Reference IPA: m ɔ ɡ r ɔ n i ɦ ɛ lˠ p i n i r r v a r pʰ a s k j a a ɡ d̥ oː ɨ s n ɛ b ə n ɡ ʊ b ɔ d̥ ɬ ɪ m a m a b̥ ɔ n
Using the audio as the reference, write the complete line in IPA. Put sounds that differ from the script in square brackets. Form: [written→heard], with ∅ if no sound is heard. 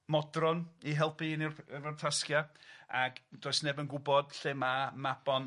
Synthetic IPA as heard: m ɔ [ɡ→d] r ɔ n i ɦ ɛ lˠ p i n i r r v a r [pʰ→tʰ] a s k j a a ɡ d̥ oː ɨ s n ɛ b ə n ɡ ʊ b ɔ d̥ ɬ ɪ m a m a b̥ ɔ n